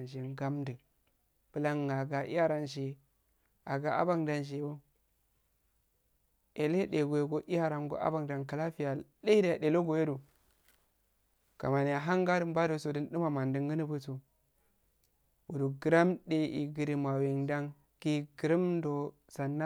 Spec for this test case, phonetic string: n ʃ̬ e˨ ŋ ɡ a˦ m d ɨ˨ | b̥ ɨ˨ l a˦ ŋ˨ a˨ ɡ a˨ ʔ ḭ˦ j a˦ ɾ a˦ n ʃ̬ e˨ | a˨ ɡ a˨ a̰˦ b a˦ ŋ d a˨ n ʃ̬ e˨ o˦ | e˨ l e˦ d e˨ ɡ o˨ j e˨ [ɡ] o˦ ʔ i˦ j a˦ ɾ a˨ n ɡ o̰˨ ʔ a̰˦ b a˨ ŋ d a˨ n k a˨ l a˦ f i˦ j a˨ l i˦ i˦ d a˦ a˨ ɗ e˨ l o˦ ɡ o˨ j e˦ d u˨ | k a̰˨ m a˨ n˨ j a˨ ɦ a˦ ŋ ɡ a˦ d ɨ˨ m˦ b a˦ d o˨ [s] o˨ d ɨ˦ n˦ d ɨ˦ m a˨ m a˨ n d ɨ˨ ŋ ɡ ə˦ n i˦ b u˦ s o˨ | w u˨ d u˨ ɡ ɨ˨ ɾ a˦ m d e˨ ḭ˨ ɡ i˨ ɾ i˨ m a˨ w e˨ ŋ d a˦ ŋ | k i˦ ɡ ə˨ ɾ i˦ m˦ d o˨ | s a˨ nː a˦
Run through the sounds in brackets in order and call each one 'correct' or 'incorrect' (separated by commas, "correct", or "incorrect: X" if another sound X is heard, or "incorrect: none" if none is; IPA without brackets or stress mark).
correct, correct